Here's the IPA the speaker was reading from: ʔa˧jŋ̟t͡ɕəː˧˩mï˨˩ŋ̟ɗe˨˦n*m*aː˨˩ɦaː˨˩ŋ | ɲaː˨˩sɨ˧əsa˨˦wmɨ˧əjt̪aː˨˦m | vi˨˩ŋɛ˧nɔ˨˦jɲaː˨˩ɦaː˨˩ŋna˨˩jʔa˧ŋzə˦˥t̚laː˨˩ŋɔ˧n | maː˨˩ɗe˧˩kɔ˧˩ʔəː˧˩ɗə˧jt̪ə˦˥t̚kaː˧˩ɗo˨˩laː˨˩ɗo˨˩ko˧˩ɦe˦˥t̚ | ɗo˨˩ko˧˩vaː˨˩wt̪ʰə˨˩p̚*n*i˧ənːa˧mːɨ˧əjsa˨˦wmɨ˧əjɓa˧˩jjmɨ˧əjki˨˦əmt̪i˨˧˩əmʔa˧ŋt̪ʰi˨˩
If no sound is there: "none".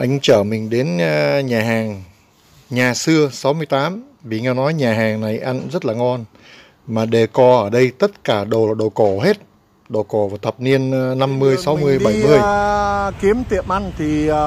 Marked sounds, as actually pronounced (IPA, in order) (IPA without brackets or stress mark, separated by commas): ɲ, n